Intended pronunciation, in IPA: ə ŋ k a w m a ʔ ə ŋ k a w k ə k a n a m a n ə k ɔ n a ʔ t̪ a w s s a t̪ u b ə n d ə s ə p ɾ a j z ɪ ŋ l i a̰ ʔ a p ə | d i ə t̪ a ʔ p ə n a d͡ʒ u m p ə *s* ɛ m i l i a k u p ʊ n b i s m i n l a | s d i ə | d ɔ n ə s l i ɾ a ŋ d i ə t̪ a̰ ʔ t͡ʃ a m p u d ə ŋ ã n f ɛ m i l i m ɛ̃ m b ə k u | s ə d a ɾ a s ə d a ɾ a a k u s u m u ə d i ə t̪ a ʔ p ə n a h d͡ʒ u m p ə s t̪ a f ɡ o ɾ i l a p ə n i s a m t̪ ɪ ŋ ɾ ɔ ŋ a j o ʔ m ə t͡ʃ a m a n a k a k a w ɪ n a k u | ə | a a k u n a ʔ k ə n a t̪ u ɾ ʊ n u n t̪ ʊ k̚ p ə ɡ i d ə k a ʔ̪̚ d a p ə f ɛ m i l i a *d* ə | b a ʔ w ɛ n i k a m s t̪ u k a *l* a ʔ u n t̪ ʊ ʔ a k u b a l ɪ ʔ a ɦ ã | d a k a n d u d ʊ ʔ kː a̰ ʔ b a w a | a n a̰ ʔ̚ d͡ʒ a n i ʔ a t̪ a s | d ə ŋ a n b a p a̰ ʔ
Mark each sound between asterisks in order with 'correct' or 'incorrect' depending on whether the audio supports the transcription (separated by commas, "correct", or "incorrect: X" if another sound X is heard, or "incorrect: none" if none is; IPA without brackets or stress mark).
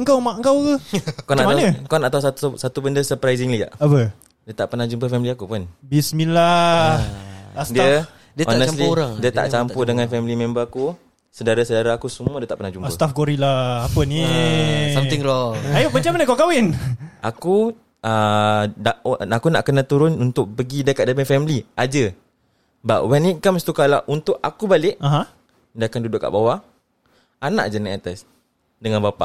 incorrect: f, incorrect: d͡ʒ, correct